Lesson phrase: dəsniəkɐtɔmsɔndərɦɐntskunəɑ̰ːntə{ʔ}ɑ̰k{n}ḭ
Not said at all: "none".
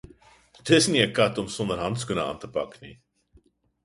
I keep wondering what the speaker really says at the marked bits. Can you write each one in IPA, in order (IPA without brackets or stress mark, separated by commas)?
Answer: p, n